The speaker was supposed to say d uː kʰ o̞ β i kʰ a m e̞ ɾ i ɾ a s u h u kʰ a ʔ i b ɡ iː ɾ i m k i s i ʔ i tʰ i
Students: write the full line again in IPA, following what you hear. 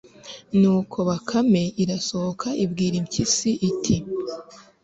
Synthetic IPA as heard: n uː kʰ o̞ β a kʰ a m e̞ i ɾ a s o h o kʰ a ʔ i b ɡ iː ɾ i m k i s i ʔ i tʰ i